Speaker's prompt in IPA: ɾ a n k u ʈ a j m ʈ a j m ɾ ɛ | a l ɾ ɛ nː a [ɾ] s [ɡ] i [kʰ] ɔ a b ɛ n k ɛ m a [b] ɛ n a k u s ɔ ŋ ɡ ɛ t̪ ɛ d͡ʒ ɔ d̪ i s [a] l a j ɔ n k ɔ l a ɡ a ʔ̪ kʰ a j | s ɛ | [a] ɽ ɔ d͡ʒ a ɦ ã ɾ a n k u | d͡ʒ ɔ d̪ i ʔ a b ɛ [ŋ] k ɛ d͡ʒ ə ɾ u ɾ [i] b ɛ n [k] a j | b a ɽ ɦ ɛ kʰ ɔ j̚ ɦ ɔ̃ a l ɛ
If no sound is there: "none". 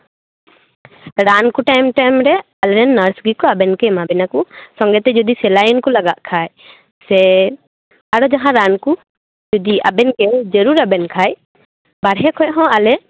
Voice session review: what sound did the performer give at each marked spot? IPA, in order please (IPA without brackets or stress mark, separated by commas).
ɾ, ɡ, k, b, ɛ, a, n, a, kʰ